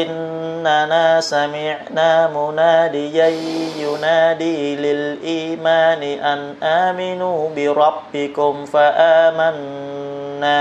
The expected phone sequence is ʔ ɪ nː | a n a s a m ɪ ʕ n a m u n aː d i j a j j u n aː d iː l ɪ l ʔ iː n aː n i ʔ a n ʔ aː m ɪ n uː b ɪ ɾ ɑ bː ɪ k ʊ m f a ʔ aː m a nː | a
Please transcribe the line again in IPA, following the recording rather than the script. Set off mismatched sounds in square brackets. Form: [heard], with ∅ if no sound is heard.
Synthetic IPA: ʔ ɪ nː | a n a s a m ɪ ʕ n a m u n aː d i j a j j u n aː d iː l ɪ l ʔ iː [m] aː n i ʔ a n ʔ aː m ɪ n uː b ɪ ɾ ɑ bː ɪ k ʊ m f a ʔ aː m a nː | a